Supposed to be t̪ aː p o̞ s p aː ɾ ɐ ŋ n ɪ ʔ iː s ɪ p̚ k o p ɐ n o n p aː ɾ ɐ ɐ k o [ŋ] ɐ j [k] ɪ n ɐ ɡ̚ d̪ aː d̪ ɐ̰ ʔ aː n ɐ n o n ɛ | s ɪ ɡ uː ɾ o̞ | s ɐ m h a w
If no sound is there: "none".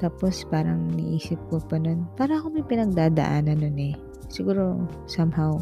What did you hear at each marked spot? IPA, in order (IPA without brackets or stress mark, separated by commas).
m, p